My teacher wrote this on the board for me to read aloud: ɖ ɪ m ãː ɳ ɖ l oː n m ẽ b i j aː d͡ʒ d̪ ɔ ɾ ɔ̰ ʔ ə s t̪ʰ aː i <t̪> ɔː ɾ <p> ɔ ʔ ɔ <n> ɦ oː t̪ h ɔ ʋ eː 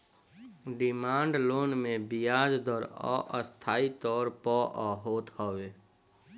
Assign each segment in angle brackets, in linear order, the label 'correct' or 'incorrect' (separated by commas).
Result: correct, correct, incorrect